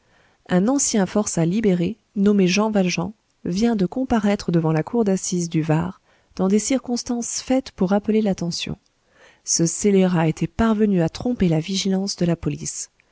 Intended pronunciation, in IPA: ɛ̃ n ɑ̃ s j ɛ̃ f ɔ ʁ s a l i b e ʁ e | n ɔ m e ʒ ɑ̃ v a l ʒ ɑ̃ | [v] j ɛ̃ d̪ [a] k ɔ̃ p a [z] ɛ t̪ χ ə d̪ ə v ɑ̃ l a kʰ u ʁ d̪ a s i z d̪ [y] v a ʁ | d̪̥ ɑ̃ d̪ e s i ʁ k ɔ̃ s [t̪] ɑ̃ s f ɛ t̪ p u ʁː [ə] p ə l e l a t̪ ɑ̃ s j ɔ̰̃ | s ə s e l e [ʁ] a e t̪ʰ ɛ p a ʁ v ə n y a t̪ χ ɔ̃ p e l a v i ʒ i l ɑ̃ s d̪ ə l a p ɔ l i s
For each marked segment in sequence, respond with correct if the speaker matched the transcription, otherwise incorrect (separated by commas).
correct, incorrect, incorrect, correct, correct, incorrect, correct